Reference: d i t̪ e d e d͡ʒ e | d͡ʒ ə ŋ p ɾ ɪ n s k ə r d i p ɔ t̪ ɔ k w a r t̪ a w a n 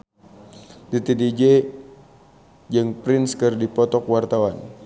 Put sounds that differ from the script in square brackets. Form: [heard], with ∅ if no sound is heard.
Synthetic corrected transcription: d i t̪ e d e d͡ʒ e | d͡ʒ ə ŋ p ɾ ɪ n s k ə r d i p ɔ t̪ ɔ k w a r t̪ a w a n